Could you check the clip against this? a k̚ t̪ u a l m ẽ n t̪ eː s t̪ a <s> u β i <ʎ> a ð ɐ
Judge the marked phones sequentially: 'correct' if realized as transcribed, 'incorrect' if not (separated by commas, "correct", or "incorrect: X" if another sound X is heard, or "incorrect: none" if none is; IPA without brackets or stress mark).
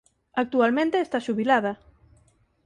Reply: incorrect: ʃ, incorrect: l